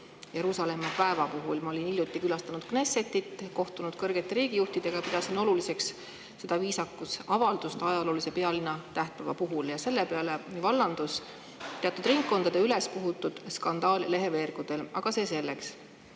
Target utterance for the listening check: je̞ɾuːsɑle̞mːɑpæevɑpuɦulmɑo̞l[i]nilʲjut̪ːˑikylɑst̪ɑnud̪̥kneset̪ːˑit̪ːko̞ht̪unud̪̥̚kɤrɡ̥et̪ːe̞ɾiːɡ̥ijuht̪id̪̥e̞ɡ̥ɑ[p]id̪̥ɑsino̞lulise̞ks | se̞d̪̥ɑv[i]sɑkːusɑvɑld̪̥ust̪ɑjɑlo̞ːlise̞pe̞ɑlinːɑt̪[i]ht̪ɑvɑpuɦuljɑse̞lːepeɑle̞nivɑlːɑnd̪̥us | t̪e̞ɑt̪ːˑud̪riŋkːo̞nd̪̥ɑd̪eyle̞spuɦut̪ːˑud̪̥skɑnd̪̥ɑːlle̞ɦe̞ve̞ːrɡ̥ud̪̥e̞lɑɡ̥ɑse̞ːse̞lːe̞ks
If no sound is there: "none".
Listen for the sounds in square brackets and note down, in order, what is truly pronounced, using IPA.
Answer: i, p, iː, æ

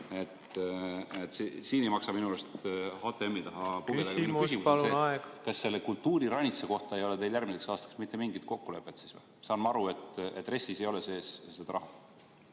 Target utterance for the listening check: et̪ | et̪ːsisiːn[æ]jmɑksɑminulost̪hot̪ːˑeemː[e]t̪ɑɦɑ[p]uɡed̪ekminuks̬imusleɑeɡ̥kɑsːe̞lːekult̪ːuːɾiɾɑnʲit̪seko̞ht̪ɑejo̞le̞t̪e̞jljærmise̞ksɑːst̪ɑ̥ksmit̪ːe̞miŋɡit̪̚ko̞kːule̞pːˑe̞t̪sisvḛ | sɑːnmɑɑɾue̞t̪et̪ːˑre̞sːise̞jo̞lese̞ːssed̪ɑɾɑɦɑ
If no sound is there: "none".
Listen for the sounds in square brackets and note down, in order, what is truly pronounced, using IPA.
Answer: e, i, p

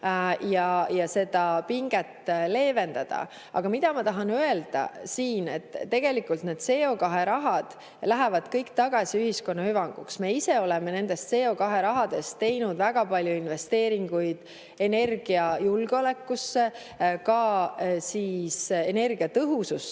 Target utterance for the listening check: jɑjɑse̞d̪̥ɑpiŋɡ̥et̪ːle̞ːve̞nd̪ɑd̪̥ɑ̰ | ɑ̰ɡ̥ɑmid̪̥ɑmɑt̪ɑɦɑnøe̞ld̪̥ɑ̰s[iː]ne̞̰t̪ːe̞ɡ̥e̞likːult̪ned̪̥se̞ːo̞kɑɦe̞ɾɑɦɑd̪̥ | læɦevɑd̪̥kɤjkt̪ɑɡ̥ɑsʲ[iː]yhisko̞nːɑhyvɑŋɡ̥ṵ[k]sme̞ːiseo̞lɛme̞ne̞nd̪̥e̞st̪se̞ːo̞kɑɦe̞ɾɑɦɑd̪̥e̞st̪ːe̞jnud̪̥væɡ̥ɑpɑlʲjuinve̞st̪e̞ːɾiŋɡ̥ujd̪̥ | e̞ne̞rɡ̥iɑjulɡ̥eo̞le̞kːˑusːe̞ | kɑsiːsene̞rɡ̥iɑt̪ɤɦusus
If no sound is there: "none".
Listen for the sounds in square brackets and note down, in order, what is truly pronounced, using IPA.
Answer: iː, i, k

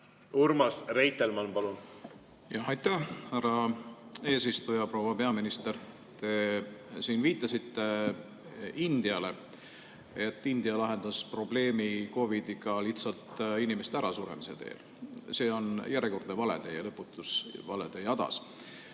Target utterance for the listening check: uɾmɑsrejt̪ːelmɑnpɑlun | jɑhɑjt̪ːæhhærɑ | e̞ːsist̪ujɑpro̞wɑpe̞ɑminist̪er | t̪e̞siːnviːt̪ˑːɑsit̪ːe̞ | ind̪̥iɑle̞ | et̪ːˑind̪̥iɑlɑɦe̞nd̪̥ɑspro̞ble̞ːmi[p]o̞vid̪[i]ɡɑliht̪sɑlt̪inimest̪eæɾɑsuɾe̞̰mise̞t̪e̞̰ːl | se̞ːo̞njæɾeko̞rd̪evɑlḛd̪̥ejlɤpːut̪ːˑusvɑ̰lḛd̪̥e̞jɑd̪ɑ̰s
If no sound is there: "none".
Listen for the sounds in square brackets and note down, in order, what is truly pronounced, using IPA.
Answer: k, i

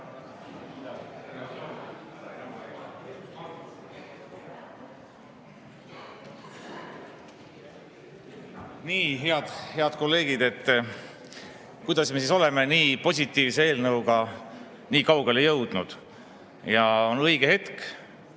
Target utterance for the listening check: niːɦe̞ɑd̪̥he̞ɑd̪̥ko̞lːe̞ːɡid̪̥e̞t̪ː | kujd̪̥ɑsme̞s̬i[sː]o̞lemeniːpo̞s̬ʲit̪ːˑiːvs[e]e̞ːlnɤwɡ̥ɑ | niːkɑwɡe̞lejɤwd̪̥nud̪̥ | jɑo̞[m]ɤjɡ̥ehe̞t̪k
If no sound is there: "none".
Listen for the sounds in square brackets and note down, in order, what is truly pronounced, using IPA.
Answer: s, e, n

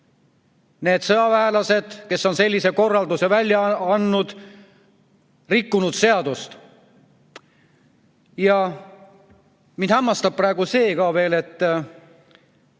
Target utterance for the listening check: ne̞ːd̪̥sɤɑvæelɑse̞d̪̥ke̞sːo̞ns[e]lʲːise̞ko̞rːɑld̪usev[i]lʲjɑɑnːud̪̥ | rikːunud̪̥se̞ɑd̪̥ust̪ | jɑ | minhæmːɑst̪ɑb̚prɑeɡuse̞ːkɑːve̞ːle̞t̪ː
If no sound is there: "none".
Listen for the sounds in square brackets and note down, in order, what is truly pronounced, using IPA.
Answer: e, æ

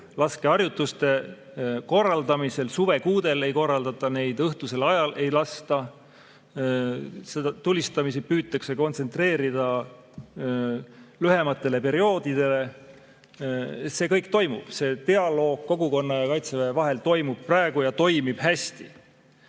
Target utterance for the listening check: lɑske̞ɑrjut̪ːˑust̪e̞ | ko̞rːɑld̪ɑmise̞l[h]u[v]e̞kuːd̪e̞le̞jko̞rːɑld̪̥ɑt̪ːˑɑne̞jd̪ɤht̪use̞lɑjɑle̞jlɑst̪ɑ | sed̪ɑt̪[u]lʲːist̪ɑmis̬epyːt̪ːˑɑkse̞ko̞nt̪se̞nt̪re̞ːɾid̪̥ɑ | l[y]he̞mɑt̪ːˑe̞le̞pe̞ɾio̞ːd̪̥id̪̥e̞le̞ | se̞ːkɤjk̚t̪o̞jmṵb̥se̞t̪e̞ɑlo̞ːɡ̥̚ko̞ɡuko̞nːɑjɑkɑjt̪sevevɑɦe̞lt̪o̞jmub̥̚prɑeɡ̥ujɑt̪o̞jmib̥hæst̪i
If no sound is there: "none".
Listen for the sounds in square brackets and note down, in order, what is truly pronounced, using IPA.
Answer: s, v, u, y

